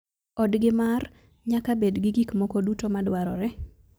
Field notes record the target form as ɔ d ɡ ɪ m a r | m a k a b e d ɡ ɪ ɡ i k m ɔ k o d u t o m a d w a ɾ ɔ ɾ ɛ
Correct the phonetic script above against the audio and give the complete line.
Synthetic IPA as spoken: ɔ d ɡ ɪ m a r | ɲ a k a b e d ɡ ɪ ɡ i k m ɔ k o d u t o m a d w a ɾ ɔ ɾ ɛ